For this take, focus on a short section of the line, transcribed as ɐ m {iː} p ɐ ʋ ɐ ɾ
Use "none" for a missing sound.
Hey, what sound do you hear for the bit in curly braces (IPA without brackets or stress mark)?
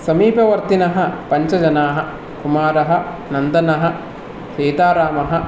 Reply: iː